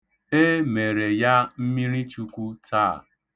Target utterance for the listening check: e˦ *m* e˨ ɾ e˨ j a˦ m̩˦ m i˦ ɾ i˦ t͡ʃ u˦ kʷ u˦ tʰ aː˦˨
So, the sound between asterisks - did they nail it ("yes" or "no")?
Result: yes